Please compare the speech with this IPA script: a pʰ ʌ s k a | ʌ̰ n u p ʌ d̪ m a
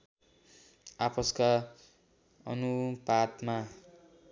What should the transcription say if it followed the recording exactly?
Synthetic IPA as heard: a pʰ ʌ s k a | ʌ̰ n u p a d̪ m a